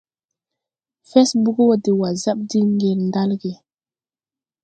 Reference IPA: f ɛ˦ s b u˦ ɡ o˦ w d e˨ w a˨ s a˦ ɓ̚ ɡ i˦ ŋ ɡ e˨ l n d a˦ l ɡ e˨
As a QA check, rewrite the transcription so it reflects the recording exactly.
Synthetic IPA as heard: f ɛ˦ s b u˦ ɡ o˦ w d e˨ w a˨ z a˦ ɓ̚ d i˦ ŋ ɡ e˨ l n d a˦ l ɡ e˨